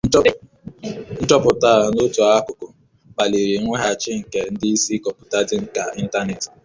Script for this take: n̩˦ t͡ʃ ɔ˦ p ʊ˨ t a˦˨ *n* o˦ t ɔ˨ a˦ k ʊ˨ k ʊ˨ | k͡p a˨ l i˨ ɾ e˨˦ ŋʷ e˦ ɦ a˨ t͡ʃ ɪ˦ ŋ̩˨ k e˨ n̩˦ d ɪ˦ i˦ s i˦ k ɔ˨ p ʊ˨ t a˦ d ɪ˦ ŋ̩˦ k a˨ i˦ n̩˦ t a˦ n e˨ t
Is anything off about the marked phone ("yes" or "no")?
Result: no